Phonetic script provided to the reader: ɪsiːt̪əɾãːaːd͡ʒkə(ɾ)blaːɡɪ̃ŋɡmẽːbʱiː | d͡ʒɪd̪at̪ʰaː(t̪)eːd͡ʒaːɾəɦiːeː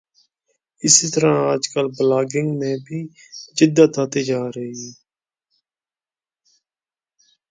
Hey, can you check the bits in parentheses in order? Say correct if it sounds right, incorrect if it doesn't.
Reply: incorrect: l, correct

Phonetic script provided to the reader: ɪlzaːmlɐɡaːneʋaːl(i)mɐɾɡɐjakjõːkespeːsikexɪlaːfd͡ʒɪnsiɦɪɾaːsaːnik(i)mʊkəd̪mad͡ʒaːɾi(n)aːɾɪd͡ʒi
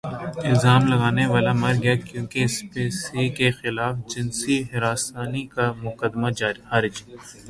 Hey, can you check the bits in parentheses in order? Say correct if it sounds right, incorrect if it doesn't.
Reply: incorrect: a, incorrect: a, incorrect: none

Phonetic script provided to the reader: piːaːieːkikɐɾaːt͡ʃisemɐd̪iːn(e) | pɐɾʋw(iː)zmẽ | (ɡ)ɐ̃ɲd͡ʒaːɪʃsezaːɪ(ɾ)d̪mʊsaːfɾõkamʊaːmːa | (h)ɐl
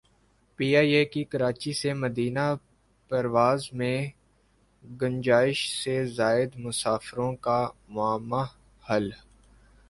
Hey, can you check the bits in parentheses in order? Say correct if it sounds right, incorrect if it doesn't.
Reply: incorrect: a, incorrect: aː, correct, incorrect: none, correct

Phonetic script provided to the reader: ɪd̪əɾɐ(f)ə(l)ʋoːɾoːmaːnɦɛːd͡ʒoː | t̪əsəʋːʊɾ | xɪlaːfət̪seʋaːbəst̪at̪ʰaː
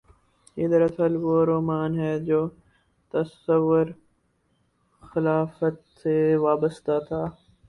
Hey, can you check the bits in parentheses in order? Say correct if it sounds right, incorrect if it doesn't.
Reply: incorrect: s, correct

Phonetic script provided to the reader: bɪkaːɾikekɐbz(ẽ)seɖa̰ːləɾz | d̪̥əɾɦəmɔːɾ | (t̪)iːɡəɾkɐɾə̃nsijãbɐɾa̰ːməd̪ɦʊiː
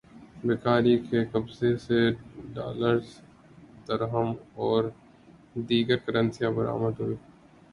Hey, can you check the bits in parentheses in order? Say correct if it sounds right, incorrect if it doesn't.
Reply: incorrect: e, incorrect: d̪

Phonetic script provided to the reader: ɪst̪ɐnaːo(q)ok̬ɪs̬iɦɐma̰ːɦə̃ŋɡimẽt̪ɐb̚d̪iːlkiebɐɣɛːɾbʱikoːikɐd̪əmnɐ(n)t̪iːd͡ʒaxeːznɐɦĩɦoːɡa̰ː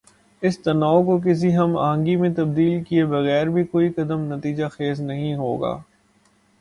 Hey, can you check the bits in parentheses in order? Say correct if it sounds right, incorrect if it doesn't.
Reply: incorrect: k, incorrect: none

